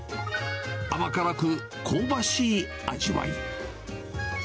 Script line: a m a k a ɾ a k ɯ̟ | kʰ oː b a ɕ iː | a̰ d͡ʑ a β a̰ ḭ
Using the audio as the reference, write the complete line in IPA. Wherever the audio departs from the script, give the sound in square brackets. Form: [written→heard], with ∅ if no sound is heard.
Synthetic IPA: a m a k a ɾ a k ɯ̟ | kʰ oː b a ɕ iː | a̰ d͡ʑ [a→i] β a̰ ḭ